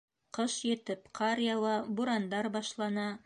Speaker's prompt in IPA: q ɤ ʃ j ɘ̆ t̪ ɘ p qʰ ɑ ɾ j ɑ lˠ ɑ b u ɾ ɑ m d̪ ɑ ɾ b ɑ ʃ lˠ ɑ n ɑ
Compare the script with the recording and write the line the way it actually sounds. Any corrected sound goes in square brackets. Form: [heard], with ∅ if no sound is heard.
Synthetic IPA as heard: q ɤ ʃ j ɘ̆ t̪ ɘ p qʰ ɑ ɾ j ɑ lˠ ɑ b u ɾ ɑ [n] d̪ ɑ ɾ b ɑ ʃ lˠ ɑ n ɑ